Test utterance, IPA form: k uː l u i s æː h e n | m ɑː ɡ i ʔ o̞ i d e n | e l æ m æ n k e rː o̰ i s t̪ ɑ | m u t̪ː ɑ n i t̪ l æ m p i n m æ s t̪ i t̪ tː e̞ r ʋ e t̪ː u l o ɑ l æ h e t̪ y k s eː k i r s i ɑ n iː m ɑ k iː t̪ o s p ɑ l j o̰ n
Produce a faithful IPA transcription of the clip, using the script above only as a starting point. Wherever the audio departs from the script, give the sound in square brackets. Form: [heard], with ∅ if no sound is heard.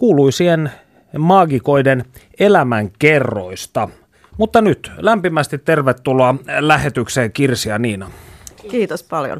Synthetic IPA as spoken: k uː l u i s [iː] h e n | m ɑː ɡ i [k] o̞ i d e n | e l æ m æ [ŋ] k e rː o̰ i s t̪ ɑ | m u t̪ː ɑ n [y] t̪ l æ m p i [∅] m æ s t̪ i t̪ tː e̞ r ʋ e t̪ː u l o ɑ l æ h e t̪ y k s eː k i r s i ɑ n iː [n] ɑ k iː t̪ o s p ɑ l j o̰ n